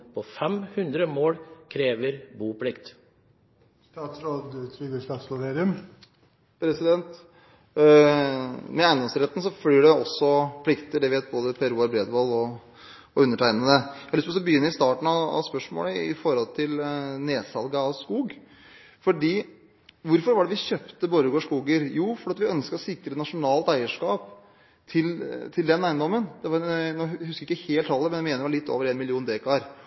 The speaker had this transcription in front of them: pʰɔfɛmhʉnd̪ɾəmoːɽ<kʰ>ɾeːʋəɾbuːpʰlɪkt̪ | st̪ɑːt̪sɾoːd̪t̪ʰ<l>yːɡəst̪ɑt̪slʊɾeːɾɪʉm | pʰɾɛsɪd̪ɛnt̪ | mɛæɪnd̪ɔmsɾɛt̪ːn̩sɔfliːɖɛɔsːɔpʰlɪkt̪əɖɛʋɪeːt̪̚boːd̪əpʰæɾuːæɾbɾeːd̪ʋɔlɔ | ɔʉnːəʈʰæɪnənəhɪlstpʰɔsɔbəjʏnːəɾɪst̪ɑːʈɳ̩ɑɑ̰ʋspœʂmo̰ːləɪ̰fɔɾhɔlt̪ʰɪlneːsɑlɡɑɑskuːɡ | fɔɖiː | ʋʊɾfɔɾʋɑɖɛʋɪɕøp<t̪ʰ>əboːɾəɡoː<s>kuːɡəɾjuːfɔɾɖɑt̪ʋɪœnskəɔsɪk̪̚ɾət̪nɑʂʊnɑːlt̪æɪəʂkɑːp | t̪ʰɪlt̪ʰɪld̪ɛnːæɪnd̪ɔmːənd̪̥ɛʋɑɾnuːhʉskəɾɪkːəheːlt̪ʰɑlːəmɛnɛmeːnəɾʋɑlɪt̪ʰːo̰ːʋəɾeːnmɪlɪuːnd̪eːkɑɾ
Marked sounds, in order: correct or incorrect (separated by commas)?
correct, incorrect, incorrect, incorrect